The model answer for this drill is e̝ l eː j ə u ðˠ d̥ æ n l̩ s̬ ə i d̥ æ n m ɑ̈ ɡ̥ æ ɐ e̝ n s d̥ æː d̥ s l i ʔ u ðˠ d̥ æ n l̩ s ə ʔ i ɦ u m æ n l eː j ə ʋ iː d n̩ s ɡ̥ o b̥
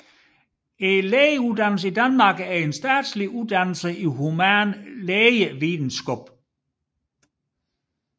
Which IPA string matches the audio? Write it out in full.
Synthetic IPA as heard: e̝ l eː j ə u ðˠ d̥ æ n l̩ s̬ ə i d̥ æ n m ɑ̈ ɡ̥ æ ɐ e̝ n s d̥ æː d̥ s l i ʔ u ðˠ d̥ æ n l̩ s ə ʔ i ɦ u m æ n l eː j ə ʋ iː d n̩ s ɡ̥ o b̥